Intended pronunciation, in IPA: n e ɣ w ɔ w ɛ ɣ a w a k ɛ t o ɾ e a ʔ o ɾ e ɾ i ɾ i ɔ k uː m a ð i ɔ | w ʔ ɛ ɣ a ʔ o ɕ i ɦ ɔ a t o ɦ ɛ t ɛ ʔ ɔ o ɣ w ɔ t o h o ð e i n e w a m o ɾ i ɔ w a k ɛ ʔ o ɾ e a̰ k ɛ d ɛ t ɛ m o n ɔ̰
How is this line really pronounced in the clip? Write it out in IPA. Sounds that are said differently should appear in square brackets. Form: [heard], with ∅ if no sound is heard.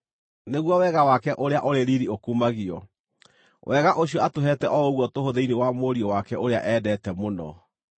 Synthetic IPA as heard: n e ɣ w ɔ w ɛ ɣ a w a k ɛ [ʔ] o ɾ e a ʔ o ɾ e ɾ i ɾ i [o] k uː m a [ɣ] i ɔ | w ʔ ɛ ɣ a ʔ o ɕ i [∅] ɔ a t o ɦ ɛ t ɛ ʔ ɔ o ɣ w ɔ t o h o ð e i n e w a m o ɾ i ɔ w a k ɛ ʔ o ɾ e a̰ [ʔ] ɛ d ɛ t ɛ m o n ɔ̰